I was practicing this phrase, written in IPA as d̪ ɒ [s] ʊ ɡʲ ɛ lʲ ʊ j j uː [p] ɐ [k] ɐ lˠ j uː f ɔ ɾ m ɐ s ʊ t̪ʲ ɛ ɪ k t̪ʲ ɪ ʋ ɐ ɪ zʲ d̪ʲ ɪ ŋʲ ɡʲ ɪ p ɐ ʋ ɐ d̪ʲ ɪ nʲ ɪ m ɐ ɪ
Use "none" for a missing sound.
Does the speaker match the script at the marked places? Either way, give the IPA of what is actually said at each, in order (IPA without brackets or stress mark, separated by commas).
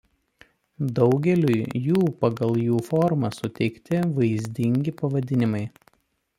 none, p, ɡ